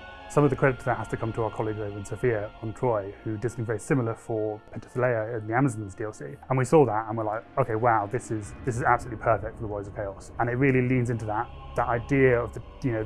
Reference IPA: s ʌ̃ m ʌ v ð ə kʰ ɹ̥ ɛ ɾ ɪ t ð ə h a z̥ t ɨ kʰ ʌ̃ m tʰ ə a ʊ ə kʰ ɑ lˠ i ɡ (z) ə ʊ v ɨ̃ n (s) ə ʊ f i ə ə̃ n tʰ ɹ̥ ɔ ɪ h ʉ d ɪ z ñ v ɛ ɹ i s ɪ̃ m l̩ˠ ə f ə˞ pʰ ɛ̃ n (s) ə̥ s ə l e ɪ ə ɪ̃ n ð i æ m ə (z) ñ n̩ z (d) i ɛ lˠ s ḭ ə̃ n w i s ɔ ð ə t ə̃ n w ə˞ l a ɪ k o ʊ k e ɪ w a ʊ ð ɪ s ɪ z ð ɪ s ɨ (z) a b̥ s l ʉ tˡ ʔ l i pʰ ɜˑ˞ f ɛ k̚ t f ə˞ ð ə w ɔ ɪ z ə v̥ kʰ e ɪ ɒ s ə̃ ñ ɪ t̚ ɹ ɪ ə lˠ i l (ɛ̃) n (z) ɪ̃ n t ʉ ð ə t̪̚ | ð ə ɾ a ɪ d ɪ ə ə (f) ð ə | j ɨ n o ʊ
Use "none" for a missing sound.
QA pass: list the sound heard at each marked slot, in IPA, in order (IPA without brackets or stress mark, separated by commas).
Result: z, s, t, z, d, z, ĩ, z, v